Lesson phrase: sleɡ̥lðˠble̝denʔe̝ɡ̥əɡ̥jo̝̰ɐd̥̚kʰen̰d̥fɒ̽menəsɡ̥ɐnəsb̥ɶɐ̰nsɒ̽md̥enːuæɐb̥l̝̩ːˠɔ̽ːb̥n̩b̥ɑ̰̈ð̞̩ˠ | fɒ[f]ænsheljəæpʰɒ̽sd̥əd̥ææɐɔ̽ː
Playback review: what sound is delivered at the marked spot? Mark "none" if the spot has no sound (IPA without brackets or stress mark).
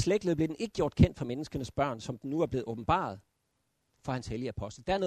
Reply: h